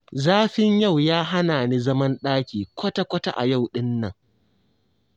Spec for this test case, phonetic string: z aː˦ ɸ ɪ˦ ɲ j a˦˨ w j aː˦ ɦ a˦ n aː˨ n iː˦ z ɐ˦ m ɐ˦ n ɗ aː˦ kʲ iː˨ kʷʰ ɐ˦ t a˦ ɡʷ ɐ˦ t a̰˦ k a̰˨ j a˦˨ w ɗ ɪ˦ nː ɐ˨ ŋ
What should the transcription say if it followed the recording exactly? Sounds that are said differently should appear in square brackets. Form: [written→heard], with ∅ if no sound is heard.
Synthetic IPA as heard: z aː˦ ɸ ɪ˦ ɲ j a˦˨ w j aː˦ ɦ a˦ n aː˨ n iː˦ z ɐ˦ m ɐ˦ n ɗ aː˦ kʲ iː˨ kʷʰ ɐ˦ t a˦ [ɡʷ→kʷ] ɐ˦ t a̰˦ [k→ʔ] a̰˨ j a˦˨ w ɗ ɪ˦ nː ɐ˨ ŋ